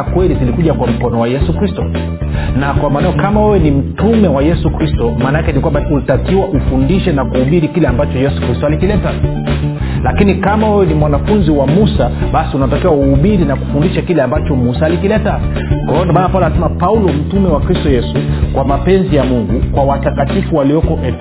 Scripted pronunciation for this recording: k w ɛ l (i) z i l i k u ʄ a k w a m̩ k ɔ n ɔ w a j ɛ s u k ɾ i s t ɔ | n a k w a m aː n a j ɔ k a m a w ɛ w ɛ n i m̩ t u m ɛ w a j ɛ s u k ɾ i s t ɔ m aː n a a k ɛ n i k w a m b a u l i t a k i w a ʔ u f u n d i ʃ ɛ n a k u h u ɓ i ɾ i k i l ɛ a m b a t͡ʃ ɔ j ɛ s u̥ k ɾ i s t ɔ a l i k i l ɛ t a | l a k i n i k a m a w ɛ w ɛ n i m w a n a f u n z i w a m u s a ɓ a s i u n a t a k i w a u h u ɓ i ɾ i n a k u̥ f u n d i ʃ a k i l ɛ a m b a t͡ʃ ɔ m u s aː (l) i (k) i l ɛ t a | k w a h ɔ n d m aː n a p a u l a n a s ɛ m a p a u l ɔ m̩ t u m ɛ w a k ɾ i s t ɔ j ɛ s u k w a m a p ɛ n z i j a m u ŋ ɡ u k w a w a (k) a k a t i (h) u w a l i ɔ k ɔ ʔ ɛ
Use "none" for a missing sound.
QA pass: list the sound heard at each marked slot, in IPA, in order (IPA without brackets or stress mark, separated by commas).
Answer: i, l, k, t, f